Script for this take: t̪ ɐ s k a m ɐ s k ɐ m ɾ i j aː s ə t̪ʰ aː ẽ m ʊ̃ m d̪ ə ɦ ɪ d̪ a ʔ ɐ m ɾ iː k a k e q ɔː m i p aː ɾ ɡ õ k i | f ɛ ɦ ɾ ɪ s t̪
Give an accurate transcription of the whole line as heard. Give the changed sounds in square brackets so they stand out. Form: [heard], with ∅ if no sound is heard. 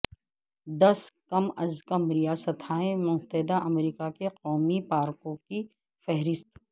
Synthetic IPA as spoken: [d̪] ɐ s k [ɐ] m ɐ [z] k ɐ m ɾ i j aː s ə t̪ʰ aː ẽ m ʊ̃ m [t̪] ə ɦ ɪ d̪ a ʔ ɐ m ɾ iː k a k e q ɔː m i p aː ɾ [k] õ k i | f ɛ ɦ ɾ ɪ s t̪

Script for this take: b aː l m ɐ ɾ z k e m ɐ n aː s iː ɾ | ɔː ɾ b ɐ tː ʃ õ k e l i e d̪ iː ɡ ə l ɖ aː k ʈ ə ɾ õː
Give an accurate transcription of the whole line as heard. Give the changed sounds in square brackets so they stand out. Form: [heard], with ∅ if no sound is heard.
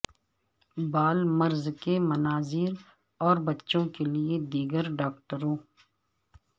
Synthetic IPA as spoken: b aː l m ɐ ɾ z k e m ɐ n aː [z] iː ɾ | ɔː ɾ b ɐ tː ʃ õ k e l i e d̪ iː ɡ ə [ɾ] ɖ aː k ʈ ə ɾ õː

